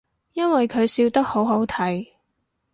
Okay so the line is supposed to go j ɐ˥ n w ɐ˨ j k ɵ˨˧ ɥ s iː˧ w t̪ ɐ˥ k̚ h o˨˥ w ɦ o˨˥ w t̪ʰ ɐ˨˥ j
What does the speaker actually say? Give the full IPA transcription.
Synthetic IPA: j ɐ˥ n w ɐ˨ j kʰ ɵ˨˧ ɥ s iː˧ w t̪ ɐ˥ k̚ h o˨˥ w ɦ o˨˥ w t̪ʰ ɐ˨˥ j